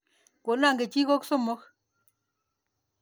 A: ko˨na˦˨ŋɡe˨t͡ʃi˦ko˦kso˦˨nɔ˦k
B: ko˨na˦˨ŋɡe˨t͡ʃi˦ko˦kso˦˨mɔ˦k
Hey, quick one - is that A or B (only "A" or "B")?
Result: B